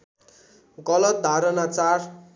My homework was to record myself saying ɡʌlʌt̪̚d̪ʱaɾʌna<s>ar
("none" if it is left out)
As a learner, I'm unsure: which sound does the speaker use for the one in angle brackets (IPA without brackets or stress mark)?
t͡s